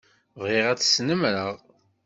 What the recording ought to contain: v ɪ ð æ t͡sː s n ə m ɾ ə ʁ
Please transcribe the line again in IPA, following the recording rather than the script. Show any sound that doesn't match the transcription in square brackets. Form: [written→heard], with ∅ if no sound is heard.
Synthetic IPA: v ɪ [ð→ʁ] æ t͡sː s n ə m ɾ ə ʁ

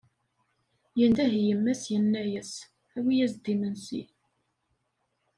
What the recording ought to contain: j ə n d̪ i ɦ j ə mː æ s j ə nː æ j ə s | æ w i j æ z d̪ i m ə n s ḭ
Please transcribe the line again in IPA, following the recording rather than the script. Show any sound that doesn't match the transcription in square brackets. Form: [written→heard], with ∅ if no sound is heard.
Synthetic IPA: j ə n d̪ [i→æ] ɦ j ə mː æ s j ə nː æ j ə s | æ w i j æ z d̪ i m ə n s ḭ

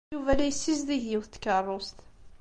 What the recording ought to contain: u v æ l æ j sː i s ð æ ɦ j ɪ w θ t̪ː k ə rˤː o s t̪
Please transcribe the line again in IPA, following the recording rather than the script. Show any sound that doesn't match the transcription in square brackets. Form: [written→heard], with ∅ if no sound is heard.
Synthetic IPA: u v æ l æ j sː i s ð [æ→i] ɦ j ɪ w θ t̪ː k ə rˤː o s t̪

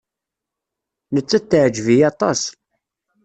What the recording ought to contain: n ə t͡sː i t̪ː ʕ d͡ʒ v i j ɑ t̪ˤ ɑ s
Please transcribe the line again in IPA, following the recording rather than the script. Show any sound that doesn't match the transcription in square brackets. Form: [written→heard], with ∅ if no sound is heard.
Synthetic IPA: n ə t͡sː [i→æ] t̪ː ʕ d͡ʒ v i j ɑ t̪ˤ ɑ s

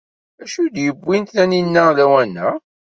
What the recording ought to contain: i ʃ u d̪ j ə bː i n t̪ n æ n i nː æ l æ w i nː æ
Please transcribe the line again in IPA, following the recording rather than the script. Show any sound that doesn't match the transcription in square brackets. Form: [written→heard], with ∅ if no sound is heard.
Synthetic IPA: [i→æ] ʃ u d̪ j ə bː i n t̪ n æ n i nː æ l æ w [i→æ] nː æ

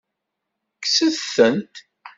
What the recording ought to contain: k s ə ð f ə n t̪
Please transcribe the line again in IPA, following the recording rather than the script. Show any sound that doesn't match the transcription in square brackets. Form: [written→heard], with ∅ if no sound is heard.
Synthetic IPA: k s ə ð [f→θ] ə n t̪

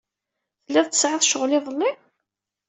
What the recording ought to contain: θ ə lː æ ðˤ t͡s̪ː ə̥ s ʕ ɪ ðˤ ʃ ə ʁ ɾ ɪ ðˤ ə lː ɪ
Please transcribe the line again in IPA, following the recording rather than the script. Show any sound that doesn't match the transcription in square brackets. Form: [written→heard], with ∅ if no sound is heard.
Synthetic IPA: θ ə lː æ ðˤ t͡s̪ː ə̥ s ʕ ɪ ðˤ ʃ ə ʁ [ɾ→l] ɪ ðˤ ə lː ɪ

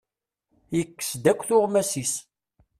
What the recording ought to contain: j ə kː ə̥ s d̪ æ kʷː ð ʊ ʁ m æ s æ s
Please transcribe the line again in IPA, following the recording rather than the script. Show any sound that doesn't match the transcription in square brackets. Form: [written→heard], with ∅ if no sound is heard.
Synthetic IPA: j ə kː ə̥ s d̪ æ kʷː [ð→θ] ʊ ʁ m æ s [æ→i] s

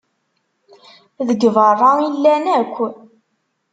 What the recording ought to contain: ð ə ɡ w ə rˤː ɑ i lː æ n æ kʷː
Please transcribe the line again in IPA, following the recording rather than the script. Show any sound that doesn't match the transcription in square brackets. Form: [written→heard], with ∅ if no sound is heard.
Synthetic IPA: ð ə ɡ [w→v] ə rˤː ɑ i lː æ n æ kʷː

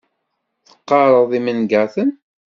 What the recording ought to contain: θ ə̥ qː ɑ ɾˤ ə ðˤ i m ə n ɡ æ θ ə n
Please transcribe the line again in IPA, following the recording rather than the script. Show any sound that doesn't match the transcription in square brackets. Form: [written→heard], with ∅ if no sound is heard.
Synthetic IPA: θ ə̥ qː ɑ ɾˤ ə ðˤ i m ə n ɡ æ θ ə n

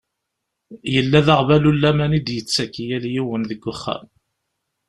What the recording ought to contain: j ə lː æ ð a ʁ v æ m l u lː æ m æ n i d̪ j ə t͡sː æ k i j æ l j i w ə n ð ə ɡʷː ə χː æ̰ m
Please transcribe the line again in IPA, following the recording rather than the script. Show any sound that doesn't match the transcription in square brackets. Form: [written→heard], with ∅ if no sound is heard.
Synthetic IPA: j ə lː æ ð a ʁ v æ [m→∅] l u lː æ m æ n i d̪ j ə t͡sː æ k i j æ l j i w ə n ð ə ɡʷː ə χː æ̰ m

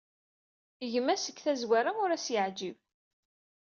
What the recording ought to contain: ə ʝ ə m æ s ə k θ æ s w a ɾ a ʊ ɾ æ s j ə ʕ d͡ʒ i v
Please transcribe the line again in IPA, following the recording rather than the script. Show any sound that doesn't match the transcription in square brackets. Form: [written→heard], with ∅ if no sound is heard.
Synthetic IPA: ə ʝ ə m æ s ə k θ æ [s→z] w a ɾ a ʊ ɾ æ s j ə ʕ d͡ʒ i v

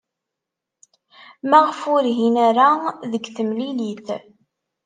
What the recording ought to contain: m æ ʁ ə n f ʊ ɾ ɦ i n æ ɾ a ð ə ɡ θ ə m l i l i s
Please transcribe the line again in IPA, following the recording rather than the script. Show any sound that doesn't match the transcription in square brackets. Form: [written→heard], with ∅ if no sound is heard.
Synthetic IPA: m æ ʁ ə [n→∅] f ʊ ɾ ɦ i n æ ɾ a ð ə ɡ θ ə m l i l i [s→θ]

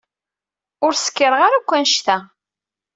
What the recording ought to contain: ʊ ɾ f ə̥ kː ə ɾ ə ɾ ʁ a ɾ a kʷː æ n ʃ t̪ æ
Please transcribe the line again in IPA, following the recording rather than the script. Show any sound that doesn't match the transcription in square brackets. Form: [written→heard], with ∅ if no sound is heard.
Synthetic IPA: ʊ ɾ [f→s] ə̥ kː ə ɾ ə [ɾ→∅] ʁ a ɾ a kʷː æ n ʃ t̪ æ

